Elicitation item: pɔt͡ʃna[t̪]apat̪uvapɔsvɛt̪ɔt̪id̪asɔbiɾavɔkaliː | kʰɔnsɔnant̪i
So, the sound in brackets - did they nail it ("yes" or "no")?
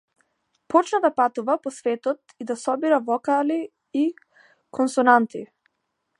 no